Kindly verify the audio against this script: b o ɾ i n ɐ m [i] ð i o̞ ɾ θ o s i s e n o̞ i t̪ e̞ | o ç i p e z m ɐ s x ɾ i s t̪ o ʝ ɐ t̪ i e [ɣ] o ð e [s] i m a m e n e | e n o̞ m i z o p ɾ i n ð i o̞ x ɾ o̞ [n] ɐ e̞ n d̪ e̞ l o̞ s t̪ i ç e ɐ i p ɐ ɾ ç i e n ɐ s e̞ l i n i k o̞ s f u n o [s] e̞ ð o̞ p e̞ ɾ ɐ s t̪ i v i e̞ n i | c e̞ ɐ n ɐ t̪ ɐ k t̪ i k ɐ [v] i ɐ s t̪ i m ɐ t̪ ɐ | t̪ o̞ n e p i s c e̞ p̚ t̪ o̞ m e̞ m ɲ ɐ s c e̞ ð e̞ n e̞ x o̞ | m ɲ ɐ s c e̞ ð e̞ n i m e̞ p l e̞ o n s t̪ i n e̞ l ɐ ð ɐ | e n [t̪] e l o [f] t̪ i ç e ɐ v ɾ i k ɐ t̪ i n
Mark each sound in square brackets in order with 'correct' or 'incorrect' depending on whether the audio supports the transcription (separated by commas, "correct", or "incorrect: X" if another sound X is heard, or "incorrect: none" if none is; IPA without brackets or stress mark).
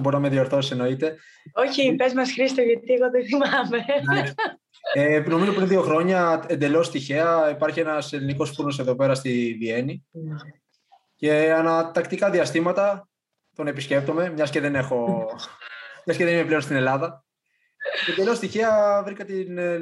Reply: incorrect: e, correct, incorrect: θ, incorrect: ɲ, correct, incorrect: ð, incorrect: d̪, incorrect: s